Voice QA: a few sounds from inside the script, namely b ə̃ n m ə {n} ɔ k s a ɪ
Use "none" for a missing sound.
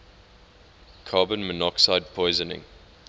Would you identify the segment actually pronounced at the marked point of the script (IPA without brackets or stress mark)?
n